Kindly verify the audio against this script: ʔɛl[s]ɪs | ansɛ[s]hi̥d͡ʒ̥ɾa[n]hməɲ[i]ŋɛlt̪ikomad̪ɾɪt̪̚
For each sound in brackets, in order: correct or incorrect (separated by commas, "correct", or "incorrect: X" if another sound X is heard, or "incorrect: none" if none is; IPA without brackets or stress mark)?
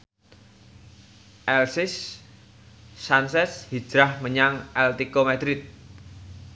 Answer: correct, correct, incorrect: none, incorrect: a